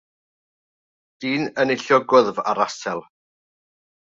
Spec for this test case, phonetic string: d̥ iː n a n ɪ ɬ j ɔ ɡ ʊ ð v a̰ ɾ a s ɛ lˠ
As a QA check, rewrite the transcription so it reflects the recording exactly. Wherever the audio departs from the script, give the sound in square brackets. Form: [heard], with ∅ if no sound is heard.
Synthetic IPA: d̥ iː n [ə] n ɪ ɬ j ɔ ɡ ʊ ð v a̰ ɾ a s ɛ lˠ